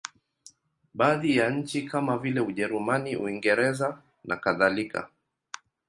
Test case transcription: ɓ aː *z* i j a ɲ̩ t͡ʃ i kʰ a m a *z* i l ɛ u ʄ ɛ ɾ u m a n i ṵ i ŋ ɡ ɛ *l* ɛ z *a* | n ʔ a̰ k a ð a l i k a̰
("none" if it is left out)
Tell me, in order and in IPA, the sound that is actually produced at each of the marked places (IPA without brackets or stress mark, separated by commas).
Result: ð, v, ɾ, a